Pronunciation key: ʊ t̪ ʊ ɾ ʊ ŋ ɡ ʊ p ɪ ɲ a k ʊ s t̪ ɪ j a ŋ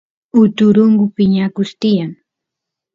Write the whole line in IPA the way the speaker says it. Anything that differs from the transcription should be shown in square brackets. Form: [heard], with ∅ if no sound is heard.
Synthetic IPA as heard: ʊ t̪ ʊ ɾ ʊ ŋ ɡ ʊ p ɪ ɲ a k ʊ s t̪ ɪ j a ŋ

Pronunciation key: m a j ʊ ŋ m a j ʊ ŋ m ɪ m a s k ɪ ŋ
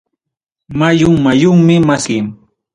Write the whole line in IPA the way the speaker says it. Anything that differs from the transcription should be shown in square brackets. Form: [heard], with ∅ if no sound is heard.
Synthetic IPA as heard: m a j ʊ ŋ m a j ʊ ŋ m ɪ m a s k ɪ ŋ

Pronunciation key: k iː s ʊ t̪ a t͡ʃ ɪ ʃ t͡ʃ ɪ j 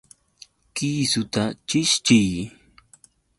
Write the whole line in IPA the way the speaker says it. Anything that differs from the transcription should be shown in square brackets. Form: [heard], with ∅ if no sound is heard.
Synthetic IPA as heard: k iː s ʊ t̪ a t͡ʃ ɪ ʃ t͡ʃ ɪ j

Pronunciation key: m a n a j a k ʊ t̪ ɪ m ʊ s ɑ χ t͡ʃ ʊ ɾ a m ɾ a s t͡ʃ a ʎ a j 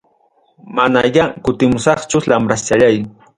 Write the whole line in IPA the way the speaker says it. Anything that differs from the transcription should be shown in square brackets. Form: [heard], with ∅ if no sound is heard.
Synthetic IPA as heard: m a n a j a k ʊ t̪ ɪ m ʊ s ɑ χ t͡ʃ ʊ [l] a m ɾ a s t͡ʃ a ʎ a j

